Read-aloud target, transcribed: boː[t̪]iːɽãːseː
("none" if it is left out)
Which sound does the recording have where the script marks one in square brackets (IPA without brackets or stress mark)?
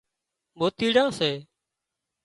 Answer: t̪